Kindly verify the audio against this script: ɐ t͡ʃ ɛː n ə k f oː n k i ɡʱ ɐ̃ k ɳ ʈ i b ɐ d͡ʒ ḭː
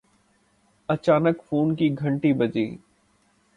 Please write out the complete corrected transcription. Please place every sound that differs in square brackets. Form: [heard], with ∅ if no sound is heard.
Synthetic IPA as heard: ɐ t͡ʃ [aː] n ə k f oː n k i ɡʱ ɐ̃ [∅] ɳ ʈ i b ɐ d͡ʒ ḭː